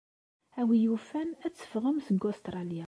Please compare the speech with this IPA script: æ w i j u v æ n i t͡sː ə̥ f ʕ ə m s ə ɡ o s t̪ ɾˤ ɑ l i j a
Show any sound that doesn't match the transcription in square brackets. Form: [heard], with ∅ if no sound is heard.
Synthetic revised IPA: æ w i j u [f] æ n [æ] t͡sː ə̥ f [ʁ] ə m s ə ɡ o s t̪ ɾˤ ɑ l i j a